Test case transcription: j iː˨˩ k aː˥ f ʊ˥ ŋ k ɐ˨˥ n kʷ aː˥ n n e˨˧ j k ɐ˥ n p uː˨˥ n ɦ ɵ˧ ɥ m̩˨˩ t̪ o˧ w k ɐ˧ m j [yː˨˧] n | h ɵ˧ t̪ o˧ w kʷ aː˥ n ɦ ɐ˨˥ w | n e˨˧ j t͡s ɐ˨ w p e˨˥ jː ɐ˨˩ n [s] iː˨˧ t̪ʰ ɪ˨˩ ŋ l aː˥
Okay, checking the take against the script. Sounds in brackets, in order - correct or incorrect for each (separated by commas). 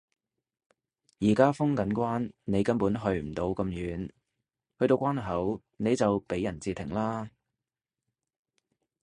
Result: correct, incorrect